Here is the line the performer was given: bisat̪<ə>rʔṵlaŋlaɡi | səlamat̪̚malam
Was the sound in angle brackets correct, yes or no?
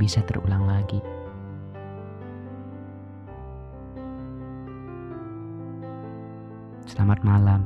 yes